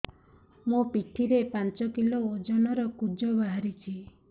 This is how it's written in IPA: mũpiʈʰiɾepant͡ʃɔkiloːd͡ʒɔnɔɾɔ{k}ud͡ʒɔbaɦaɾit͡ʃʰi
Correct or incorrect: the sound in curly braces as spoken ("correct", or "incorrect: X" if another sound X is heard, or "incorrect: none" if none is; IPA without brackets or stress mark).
correct